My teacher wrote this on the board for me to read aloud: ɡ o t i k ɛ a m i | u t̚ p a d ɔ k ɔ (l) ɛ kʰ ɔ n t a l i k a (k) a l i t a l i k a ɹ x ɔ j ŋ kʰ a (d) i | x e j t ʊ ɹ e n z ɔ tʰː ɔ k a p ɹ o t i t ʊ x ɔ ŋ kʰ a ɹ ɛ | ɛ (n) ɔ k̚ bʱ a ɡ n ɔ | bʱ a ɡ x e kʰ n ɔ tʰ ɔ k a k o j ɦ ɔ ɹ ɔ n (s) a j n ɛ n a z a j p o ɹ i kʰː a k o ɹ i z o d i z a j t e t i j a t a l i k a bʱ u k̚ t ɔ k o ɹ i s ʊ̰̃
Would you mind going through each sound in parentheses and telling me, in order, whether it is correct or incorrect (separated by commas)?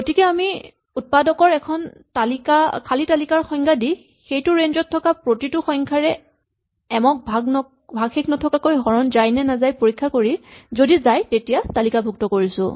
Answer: incorrect, incorrect, correct, incorrect, incorrect